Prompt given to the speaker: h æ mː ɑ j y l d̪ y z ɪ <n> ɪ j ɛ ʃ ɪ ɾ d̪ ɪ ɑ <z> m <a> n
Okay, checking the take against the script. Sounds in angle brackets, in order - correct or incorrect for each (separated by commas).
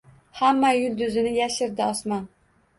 correct, incorrect, incorrect